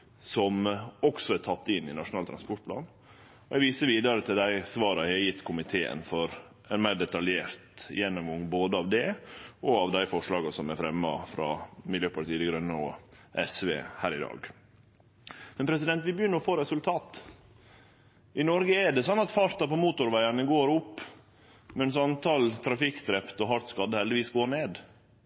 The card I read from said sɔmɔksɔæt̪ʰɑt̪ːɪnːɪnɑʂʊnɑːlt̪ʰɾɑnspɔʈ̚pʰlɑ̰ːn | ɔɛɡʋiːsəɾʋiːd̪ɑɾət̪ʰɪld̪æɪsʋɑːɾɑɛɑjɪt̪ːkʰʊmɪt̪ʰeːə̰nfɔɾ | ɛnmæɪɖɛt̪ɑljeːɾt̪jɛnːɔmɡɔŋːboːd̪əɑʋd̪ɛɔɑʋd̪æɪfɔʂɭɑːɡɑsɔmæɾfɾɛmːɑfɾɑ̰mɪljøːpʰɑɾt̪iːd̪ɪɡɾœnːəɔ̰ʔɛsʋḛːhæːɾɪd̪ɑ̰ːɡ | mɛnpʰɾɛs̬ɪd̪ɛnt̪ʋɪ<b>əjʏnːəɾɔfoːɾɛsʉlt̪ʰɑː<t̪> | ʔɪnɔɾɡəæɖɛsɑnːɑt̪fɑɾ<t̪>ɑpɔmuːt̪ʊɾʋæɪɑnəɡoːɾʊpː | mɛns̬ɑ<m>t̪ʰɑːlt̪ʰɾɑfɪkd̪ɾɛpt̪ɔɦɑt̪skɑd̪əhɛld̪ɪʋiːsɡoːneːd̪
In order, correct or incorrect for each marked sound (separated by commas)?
correct, correct, correct, incorrect